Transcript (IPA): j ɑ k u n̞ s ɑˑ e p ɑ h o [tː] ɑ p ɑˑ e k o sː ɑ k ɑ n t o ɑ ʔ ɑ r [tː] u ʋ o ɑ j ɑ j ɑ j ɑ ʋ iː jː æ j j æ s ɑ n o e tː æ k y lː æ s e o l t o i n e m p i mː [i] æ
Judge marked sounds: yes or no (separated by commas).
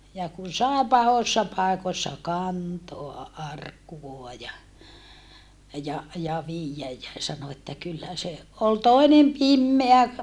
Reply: no, no, no